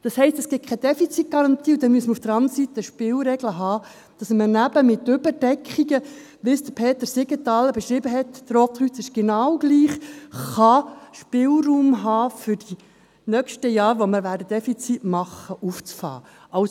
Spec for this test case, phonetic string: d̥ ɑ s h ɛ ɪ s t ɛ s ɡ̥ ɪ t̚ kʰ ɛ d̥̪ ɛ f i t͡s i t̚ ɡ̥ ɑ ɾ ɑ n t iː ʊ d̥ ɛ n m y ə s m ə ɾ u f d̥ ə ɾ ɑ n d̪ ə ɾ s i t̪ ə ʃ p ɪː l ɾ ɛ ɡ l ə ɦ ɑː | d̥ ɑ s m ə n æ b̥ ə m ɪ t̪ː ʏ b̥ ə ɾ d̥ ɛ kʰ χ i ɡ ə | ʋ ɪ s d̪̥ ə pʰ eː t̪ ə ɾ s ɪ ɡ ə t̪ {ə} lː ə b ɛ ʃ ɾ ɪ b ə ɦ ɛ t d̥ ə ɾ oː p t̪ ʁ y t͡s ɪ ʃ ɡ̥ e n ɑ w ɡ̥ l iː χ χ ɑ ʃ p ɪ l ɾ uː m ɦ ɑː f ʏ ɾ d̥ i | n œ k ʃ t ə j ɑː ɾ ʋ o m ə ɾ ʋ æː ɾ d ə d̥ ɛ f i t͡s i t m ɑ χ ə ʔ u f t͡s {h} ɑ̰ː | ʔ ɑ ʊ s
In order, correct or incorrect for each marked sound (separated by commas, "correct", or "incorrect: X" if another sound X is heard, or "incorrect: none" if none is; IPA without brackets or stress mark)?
incorrect: ɑ, incorrect: f